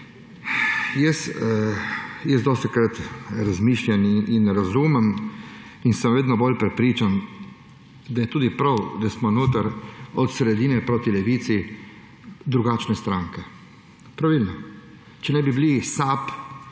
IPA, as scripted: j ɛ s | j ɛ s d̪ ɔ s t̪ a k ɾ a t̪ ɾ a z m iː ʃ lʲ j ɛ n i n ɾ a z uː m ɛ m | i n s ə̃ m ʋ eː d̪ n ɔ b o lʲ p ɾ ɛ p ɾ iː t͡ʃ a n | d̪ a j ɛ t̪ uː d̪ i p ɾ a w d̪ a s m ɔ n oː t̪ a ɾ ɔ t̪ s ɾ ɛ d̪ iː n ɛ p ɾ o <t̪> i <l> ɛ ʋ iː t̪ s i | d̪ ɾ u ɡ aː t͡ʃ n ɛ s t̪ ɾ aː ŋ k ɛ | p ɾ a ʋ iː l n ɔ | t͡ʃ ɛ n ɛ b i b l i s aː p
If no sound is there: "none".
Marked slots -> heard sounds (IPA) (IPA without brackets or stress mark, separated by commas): t̪, l